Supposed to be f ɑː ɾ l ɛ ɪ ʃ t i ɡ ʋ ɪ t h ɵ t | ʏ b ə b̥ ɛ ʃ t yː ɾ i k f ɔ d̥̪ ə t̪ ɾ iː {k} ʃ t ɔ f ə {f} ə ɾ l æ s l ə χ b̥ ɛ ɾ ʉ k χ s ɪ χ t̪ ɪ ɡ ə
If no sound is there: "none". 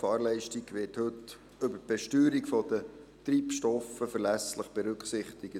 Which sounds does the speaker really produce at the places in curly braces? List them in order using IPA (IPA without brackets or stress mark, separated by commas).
p, f